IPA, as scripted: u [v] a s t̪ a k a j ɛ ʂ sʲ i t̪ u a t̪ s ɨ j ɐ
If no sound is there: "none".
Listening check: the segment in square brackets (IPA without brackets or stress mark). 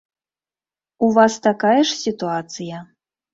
v